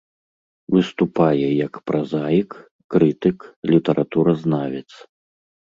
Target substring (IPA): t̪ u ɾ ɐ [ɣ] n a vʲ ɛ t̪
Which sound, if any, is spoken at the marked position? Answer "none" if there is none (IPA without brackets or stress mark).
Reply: z